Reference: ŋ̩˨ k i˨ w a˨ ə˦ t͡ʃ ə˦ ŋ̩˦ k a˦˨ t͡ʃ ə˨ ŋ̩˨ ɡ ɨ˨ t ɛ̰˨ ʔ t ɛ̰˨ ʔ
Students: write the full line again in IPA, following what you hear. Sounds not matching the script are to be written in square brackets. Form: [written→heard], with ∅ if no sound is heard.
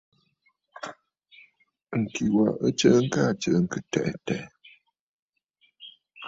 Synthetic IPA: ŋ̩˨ k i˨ w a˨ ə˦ t͡ʃ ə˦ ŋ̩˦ k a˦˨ t͡ʃ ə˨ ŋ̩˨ [ɡ→k] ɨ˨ t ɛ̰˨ ʔ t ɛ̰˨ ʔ